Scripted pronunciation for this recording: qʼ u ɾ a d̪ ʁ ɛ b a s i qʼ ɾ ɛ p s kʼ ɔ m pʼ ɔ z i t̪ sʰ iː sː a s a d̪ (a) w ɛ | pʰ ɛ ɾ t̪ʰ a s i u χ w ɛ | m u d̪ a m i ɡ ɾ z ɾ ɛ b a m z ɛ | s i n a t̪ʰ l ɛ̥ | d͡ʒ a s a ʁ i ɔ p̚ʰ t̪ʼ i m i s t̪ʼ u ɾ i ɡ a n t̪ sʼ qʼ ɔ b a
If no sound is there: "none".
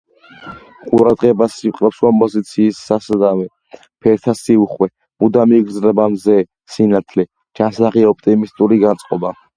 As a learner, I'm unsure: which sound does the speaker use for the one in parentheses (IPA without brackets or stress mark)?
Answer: a